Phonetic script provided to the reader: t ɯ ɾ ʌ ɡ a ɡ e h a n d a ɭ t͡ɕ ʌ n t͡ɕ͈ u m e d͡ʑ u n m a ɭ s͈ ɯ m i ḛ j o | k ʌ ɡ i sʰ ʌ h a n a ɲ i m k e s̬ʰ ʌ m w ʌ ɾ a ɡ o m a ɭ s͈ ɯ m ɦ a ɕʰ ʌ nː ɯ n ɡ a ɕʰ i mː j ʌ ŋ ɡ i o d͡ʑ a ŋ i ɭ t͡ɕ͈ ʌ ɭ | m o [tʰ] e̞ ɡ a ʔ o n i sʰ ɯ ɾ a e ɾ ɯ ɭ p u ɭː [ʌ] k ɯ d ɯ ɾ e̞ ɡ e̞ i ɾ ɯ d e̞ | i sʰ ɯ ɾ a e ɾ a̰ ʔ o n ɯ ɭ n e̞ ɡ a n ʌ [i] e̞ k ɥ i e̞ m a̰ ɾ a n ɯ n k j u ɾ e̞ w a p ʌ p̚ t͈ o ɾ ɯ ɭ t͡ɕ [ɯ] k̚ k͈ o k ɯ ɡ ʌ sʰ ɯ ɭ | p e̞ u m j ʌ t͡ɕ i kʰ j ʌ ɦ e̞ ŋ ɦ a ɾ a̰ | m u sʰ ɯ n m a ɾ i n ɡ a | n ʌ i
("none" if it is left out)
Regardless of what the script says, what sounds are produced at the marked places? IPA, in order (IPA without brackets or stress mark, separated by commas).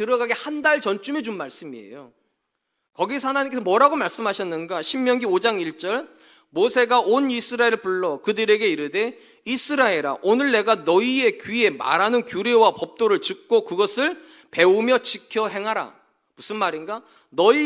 sʰ, ʌ, i, ɯ